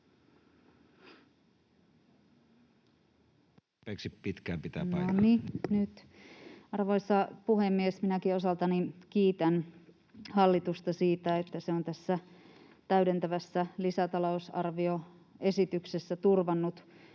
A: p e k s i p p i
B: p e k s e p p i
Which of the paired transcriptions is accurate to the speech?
A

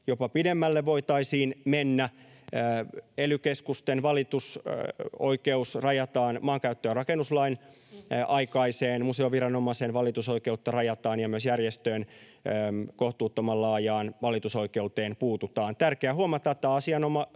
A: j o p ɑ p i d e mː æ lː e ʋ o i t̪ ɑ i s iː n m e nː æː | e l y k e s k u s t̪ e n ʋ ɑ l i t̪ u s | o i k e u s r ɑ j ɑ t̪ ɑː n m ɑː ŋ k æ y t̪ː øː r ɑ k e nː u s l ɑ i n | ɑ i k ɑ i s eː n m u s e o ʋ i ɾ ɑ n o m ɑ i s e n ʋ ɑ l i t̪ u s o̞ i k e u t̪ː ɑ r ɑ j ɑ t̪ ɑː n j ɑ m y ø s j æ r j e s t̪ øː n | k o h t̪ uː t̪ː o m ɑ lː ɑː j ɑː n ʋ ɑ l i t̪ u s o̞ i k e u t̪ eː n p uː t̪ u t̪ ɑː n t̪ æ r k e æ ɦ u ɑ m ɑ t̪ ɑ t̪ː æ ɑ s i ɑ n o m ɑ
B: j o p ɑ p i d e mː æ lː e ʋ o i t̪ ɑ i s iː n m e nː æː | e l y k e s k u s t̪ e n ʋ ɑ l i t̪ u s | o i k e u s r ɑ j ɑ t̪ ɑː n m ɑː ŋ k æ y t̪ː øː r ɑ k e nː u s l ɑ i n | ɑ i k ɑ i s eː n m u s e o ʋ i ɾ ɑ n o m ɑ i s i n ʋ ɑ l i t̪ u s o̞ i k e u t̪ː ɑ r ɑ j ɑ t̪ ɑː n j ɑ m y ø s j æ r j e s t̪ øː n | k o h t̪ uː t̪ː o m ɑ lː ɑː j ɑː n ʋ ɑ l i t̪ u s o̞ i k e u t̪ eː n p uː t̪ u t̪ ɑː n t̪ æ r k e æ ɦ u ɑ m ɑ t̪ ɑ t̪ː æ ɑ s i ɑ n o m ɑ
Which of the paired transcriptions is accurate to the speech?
A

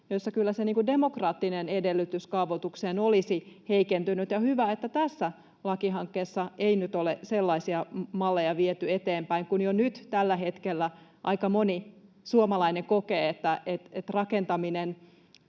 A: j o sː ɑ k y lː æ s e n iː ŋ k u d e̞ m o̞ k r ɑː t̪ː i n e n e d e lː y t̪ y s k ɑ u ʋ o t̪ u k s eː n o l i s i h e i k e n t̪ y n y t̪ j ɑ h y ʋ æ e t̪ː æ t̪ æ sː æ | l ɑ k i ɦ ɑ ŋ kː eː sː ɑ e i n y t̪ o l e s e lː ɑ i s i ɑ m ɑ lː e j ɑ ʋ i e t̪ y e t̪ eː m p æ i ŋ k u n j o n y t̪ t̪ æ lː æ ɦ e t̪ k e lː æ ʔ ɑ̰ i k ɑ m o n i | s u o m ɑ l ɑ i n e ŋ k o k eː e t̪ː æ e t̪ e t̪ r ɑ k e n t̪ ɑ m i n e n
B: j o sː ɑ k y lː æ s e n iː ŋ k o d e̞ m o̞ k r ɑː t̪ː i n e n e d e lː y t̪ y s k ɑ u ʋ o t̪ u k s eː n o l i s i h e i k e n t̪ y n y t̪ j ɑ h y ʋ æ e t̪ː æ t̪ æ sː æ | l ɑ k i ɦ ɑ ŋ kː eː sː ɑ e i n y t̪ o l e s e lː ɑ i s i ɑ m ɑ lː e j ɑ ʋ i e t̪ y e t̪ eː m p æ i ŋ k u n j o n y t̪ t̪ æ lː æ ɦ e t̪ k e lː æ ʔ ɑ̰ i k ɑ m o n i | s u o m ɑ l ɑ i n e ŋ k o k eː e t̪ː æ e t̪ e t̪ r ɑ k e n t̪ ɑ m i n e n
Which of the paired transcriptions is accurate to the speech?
A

